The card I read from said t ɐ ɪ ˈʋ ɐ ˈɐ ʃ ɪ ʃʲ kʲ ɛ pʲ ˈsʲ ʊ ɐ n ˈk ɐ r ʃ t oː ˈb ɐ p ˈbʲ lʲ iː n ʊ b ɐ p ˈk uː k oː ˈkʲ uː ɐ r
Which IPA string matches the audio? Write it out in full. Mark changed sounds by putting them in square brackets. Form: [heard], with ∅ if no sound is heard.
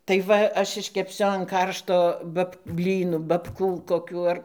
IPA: t ɐ ɪ ˈʋ ɐ ˈɐ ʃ ɪ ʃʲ kʲ ɛ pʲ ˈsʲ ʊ ɐ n ˈk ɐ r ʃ t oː ˈb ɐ p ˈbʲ lʲ iː n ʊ b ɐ p ˈk uː k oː ˈkʲ uː ɐ r

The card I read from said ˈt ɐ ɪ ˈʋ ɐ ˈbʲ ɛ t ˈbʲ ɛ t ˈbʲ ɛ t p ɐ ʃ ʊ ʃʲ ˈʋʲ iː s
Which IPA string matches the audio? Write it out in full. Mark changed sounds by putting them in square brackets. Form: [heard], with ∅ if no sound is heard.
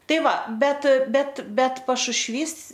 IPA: ˈt ɐ ɪ ˈʋ ɐ ˈbʲ ɛ t ˈbʲ ɛ t ˈbʲ ɛ t p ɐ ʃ ʊ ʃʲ ˈʋʲ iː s

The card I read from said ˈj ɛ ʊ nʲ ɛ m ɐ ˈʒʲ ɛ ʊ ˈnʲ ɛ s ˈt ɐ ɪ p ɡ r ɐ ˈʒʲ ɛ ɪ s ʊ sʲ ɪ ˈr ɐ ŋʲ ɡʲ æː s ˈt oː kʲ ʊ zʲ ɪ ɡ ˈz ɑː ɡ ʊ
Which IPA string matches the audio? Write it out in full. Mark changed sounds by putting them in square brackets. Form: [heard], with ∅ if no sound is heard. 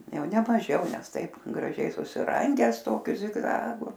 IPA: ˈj ɛ ʊ nʲ ɛ m ɐ ˈʒʲ ɛ ʊ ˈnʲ ɛ s ˈt ɐ ɪ p ɡ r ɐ ˈʒʲ ɛ ɪ s ʊ sʲ ɪ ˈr ɐ ŋʲ ɡʲ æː s ˈt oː kʲ ʊ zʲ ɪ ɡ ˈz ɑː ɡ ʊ

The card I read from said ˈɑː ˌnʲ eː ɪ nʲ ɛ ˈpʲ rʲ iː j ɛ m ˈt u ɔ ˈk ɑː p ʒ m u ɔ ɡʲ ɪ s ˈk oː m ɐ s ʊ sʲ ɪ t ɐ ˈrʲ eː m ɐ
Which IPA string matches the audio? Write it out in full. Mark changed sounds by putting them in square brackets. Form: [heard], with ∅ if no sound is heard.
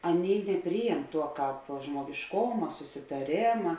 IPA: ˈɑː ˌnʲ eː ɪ nʲ ɛ ˈpʲ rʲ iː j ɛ m ˈt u ɔ ˈk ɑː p ʒ m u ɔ ɡʲ ɪ [ʃ] ˈk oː m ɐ s ʊ sʲ ɪ t ɐ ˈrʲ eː m ɐ

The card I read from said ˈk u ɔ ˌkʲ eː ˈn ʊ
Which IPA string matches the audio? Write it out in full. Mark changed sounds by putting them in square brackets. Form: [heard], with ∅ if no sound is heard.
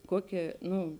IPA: ˈk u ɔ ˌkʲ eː ˈn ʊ

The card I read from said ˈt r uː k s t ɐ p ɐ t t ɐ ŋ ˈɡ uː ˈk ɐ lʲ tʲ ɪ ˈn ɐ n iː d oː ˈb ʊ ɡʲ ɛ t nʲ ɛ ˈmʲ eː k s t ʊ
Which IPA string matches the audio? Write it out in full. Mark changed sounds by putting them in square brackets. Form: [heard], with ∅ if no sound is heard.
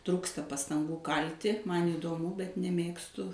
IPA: ˈt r uː k s t ɐ p ɐ [s] t ɐ ŋ ˈɡ uː ˈk ɐ lʲ tʲ ɪ [ˈm] ɐ n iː d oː [ˈm] ʊ [bʲ] ɛ t nʲ ɛ ˈmʲ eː k s t ʊ

